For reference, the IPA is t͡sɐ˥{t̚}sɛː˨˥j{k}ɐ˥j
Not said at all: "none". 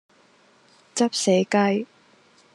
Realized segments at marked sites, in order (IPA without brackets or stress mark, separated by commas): p̚, k